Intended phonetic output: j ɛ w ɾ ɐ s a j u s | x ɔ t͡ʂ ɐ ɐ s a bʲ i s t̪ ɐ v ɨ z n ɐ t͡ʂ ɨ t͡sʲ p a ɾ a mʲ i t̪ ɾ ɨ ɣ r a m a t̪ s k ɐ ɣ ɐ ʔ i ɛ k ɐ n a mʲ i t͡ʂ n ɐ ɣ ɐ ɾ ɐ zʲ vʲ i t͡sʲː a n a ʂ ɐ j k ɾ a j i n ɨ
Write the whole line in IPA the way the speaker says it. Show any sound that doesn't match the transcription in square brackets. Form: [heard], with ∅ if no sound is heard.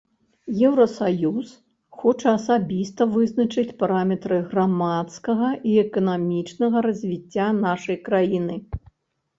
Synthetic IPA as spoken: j ɛ w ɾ ɐ s a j u s | x ɔ t͡ʂ ɐ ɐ s a bʲ i s t̪ ɐ v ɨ z n ɐ t͡ʂ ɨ t͡sʲ p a ɾ a mʲ [ɛ] t̪ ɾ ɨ ɣ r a m a t̪ s k ɐ ɣ ɐ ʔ i ɛ k ɐ n a mʲ i t͡ʂ n ɐ ɣ ɐ ɾ ɐ zʲ vʲ i t͡sʲː a n a ʂ ɐ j k ɾ a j i n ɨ